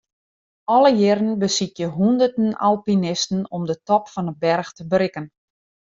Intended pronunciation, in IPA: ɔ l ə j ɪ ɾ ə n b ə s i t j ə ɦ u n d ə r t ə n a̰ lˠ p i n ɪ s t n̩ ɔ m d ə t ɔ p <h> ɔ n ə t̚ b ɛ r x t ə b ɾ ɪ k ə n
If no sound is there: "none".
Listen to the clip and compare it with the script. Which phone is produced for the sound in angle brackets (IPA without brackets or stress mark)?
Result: f